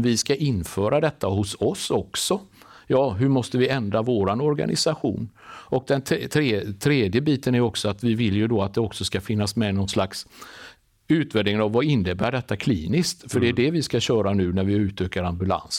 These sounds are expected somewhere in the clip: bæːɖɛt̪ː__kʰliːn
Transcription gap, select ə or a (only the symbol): a